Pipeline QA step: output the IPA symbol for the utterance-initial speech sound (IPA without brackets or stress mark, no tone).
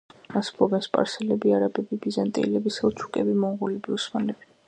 a